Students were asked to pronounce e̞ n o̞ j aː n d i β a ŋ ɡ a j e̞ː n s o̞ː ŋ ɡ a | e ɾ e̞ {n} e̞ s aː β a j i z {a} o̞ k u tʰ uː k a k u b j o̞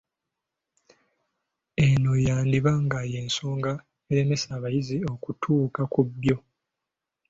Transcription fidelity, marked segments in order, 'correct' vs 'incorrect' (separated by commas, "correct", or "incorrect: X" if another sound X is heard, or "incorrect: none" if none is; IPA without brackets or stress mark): incorrect: m, incorrect: i